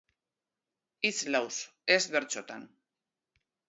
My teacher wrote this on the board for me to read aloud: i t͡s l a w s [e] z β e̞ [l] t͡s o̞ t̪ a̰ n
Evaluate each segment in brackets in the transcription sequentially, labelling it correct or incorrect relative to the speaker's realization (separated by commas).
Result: correct, incorrect